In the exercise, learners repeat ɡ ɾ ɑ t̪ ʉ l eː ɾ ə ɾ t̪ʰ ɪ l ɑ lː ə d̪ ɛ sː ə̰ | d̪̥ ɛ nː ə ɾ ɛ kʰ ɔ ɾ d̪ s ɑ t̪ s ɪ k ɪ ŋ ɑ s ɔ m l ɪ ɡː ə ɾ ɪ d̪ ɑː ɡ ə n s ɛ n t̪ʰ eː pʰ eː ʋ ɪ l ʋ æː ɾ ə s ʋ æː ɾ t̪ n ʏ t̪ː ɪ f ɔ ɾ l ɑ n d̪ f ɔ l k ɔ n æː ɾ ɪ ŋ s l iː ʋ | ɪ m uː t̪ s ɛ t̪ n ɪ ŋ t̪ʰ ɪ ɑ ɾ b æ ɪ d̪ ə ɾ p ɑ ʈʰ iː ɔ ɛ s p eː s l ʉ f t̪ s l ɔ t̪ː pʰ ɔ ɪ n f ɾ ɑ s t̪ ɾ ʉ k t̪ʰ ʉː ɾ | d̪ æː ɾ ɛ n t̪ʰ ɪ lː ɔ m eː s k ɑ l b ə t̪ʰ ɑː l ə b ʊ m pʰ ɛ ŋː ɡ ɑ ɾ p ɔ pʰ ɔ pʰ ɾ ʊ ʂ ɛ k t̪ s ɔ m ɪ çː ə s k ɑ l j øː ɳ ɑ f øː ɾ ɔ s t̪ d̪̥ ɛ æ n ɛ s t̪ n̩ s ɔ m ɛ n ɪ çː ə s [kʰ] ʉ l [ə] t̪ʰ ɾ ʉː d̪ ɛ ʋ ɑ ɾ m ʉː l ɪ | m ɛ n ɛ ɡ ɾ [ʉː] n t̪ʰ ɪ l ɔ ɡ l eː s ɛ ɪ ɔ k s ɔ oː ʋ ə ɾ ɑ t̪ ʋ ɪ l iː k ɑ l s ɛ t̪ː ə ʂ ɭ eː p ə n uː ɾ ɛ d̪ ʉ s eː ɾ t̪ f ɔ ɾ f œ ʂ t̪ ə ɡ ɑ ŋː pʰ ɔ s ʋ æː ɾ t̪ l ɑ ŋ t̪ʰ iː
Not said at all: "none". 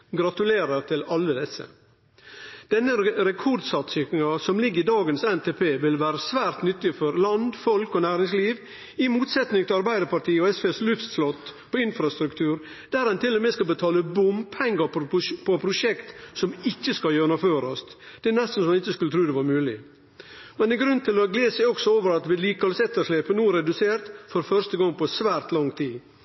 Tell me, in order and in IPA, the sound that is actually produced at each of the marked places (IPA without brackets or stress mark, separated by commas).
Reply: k, ə, ʉ